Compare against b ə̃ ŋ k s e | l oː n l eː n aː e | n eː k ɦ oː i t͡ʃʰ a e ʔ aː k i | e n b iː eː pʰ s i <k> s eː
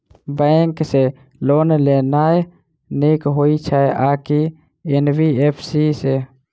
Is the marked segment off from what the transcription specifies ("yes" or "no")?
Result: yes